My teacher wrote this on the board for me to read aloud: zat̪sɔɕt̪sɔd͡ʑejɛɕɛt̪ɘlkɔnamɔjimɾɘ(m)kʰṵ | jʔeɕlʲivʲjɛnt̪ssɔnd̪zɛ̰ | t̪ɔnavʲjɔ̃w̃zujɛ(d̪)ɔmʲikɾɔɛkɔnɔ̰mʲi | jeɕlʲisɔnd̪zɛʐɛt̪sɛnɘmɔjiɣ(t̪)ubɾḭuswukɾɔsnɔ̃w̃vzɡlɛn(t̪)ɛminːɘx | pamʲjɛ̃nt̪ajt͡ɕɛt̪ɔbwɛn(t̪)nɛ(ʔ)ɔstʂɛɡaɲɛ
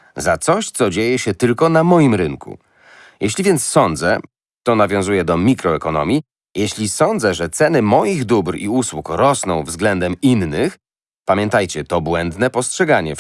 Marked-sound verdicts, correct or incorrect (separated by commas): incorrect, correct, incorrect, incorrect, incorrect, incorrect